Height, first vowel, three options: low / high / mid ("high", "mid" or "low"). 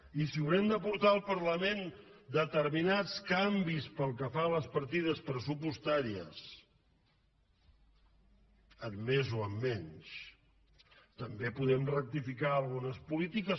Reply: high